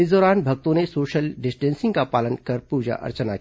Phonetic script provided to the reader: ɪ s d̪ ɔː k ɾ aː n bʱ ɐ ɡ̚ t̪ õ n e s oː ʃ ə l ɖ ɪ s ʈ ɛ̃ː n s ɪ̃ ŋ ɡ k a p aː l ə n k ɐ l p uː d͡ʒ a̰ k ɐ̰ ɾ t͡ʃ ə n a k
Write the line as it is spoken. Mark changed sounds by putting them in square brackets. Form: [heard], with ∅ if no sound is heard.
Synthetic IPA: ɪ s d̪ ɔː [∅] ɾ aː n bʱ ɐ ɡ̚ t̪ õ n e s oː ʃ ə l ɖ ɪ s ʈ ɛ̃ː n s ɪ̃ ŋ ɡ k a p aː l ə n k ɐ [ɾ] p uː d͡ʒ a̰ [ʔ] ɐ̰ ɾ t͡ʃ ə n a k